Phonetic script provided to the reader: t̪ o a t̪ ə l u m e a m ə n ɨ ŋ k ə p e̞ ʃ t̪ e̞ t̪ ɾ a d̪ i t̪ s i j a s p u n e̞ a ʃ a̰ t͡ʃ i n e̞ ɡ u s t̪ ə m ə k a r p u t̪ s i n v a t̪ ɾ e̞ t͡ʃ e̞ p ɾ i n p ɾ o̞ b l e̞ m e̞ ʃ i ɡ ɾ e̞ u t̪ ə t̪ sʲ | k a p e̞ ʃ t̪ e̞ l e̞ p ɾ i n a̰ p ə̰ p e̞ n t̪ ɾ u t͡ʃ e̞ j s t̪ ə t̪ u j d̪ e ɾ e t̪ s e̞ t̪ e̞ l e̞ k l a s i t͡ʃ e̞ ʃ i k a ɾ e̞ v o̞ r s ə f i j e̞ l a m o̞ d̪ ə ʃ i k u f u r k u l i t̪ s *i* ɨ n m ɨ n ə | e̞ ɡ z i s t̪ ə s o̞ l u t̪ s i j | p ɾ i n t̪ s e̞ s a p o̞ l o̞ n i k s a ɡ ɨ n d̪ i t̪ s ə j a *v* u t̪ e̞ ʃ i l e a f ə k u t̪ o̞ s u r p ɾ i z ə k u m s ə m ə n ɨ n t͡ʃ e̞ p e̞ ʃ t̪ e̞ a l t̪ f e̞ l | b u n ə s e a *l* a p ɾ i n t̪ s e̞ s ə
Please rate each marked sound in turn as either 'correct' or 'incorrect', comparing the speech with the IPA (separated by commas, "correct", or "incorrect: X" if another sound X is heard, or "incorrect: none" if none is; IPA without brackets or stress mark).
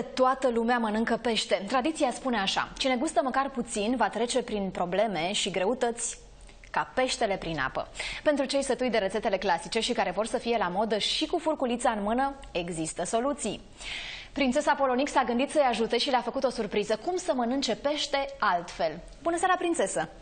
incorrect: a, incorrect: ʒ, incorrect: ɾ